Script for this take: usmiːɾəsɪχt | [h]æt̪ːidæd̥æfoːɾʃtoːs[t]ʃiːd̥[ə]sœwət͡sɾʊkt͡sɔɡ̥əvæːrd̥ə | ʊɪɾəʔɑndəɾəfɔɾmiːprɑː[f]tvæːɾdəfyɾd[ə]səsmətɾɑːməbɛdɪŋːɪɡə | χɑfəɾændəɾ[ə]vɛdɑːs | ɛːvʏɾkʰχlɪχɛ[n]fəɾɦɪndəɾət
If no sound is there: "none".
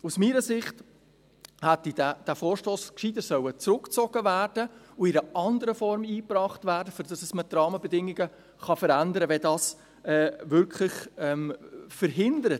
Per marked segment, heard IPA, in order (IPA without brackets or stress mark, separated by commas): h, k, ə, χ, ɑ, ə, m